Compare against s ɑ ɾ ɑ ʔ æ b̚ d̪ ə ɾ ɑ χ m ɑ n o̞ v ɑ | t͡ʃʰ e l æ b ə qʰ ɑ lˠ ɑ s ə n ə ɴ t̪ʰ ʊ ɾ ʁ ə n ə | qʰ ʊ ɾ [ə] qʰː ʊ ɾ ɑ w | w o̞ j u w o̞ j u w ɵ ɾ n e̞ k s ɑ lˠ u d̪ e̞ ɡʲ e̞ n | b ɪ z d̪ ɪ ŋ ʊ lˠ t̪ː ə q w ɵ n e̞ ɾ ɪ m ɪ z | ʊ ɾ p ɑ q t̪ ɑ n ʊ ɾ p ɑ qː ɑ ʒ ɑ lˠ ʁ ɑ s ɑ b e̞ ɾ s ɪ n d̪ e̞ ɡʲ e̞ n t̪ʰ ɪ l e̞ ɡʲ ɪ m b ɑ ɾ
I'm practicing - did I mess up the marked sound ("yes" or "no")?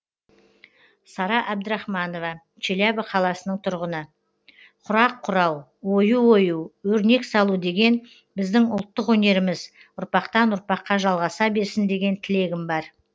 yes